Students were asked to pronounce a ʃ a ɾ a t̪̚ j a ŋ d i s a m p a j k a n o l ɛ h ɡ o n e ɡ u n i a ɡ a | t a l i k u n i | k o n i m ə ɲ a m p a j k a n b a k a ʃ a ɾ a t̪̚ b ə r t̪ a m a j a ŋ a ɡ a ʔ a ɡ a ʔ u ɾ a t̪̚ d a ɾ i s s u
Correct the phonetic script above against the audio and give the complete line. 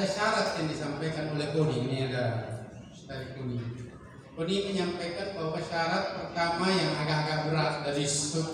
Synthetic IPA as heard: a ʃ a ɾ a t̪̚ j a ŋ d i s a m p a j k a n o l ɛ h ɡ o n i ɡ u n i a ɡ a | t a ɾ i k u n i | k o n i m ə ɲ a m p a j k a n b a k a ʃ a ɾ a t̪̚ p ə r t̪ a m a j a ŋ a ɡ a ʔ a ɡ a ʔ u ɾ a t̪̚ d a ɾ i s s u